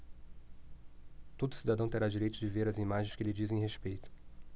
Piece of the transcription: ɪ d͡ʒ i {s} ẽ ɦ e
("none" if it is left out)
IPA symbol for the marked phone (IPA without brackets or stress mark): z